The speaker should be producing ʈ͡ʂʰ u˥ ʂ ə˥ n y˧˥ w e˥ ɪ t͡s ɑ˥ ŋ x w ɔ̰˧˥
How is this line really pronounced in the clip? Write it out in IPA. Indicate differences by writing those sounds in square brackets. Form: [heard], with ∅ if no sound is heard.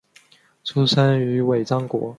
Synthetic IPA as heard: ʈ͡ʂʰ u˥ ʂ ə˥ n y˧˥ w [e˨˩] ɪ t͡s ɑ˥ ŋ [k] w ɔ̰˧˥